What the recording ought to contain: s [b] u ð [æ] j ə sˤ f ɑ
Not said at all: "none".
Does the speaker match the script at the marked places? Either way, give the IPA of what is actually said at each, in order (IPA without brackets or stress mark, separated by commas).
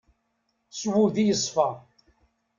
w, i